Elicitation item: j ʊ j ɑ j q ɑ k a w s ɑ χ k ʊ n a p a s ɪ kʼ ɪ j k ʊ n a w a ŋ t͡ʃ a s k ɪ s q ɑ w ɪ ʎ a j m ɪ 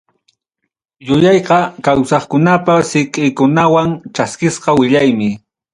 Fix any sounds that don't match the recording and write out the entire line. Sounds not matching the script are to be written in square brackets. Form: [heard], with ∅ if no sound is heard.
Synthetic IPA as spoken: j ʊ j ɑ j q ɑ k a w s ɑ χ k ʊ n a p a s ɪ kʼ ɪ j k ʊ n a w a ŋ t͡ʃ a s k ɪ s q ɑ w ɪ ʎ a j m ɪ